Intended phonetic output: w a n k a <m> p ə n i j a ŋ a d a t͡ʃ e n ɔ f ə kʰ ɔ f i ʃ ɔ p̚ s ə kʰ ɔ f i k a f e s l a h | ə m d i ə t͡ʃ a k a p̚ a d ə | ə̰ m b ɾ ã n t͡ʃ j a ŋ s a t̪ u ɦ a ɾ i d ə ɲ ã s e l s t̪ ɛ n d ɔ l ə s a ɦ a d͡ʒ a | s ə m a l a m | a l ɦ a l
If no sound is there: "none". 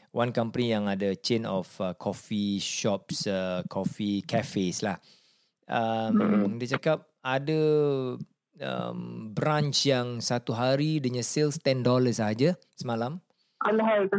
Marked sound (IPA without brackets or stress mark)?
m